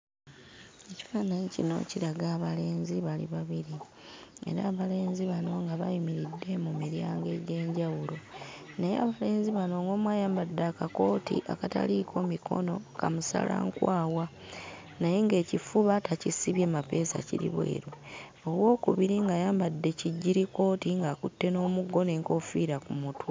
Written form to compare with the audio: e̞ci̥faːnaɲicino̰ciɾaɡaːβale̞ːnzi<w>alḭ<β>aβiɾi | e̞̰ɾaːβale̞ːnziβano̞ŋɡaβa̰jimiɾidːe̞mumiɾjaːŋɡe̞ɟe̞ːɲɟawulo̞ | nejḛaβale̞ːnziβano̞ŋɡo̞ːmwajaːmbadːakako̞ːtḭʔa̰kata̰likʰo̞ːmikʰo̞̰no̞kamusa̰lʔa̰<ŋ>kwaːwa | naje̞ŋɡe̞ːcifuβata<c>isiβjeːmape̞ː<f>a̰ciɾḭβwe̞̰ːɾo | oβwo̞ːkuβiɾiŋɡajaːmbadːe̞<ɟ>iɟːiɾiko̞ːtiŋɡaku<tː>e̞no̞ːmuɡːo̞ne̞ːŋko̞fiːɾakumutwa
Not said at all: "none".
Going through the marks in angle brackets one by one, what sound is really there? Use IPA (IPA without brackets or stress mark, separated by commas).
β, β, ŋ, c, s, c, tː